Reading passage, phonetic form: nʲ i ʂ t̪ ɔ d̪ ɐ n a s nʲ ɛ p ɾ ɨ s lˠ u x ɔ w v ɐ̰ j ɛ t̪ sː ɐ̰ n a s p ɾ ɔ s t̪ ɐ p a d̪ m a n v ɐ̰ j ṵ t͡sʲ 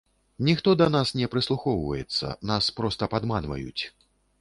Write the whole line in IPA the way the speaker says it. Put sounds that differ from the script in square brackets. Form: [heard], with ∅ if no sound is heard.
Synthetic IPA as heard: nʲ i [x] t̪ ɔ d̪ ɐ n a s nʲ ɛ p ɾ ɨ s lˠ u x ɔ w v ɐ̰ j ɛ t̪ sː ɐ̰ n a s p ɾ ɔ s t̪ ɐ p a d̪ m a n v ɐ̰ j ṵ t͡sʲ